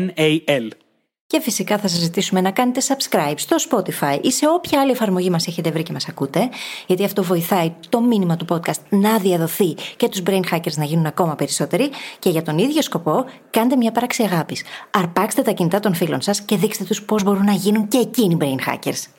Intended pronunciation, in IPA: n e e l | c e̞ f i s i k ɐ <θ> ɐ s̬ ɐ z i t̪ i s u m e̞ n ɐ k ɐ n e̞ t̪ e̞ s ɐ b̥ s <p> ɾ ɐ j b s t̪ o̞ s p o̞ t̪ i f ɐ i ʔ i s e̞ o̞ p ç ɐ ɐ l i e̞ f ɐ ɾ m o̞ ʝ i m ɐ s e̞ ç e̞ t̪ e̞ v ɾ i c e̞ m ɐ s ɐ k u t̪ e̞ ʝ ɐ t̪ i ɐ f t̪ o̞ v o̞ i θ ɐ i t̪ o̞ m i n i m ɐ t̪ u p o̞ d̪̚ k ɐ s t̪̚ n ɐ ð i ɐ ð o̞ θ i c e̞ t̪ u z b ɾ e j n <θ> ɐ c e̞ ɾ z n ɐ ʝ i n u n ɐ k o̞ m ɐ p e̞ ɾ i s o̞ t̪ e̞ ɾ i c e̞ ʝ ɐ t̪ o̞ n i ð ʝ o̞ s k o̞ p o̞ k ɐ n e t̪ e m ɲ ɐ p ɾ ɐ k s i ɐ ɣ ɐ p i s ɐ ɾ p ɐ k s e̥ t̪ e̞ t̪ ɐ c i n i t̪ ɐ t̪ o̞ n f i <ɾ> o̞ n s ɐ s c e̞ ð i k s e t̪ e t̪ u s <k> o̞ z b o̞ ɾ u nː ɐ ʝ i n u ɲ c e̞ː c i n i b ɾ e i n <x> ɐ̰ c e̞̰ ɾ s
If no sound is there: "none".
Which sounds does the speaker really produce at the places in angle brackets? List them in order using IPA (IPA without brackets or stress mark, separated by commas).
θ, k, x, l, p, x